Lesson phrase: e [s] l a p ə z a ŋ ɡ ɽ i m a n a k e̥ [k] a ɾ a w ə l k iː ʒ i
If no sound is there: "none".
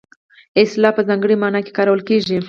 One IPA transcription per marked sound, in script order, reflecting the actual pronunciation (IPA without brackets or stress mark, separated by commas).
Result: s, k